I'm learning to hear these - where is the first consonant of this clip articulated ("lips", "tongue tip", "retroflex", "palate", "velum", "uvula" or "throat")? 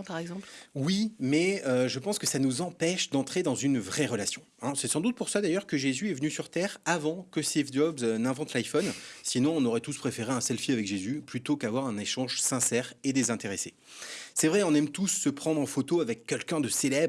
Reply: lips